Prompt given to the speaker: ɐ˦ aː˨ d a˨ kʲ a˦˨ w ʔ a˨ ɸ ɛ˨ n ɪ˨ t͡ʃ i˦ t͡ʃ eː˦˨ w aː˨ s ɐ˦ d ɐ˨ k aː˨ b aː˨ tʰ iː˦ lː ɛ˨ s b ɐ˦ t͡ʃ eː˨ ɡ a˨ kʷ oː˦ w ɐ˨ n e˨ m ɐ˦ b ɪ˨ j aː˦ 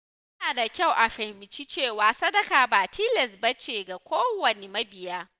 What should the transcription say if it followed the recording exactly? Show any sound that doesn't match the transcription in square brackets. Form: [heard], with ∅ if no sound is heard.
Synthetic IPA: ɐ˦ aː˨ d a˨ kʲ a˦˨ w ʔ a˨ ɸ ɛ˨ [m] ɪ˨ t͡ʃ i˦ t͡ʃ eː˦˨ w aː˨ s ɐ˦ d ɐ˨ k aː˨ b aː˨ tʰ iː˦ [l] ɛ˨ s b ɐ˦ t͡ʃ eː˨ ɡ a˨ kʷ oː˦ w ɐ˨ n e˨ m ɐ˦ b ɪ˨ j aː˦